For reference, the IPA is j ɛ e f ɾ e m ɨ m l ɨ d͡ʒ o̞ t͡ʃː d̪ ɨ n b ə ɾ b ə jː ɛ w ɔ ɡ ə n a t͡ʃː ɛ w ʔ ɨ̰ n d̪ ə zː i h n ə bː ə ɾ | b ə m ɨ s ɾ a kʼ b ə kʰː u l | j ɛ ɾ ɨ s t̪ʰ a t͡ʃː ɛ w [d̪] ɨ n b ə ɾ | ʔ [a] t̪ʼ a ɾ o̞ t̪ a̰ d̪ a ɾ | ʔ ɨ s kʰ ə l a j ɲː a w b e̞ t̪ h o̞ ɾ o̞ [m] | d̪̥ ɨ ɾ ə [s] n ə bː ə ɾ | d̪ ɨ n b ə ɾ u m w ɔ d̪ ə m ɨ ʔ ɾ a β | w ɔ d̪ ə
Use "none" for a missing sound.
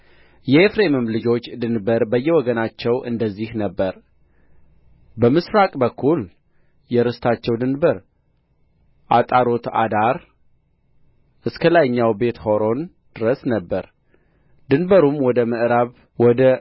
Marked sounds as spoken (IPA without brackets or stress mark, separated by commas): d̪, a, n, s